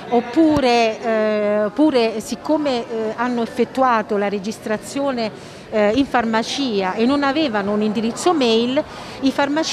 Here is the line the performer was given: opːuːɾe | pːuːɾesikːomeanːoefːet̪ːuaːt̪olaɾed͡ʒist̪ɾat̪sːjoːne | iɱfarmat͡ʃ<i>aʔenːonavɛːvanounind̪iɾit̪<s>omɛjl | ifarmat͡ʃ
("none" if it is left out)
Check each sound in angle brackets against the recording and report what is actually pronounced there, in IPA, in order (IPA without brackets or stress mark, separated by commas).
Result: iː, sː